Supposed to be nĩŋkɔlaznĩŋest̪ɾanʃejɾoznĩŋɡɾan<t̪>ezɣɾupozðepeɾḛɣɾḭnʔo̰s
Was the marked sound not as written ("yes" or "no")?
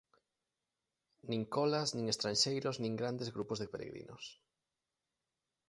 yes